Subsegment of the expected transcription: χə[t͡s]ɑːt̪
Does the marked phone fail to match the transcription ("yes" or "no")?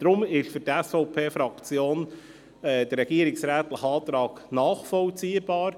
yes